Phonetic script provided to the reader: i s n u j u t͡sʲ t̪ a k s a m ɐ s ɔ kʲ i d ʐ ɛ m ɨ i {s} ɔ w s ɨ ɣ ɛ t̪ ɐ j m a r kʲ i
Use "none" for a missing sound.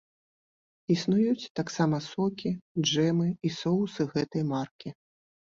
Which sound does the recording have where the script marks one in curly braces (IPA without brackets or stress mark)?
s